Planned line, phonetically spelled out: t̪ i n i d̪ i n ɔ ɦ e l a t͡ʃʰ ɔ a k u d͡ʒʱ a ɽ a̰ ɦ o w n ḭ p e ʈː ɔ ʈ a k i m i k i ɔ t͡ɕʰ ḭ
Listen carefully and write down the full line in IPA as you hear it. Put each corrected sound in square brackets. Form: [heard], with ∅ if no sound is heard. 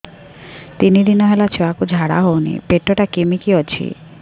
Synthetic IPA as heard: t̪ i n i d̪ i n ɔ ɦ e l a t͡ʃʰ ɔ a k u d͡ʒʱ a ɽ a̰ ɦ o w n ḭ p e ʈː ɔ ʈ a k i m i k i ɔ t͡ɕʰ ḭ